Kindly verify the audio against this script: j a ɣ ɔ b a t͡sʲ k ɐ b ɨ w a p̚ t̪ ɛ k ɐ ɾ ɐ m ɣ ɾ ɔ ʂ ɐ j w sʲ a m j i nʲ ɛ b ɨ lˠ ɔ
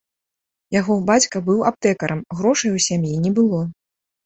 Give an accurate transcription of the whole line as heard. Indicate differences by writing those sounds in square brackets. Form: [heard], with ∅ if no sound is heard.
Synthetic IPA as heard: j a ɣ ɔ b a t͡sʲ k ɐ b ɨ w a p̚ t̪ ɛ k ɐ ɾ ɐ m ɣ ɾ ɔ ʂ ɐ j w sʲ a m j i nʲ ɛ b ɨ lˠ ɔ